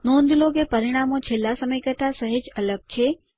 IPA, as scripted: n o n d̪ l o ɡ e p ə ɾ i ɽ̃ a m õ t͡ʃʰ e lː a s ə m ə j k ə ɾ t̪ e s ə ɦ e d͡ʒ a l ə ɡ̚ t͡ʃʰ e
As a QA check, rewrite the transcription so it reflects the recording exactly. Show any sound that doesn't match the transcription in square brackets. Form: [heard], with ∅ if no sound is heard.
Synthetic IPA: n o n d̪ l o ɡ e p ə ɾ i ɽ̃ a m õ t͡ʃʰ e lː a s ə m ə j k ə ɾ t̪ [a] s ə ɦ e d͡ʒ [ə] l ə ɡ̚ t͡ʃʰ e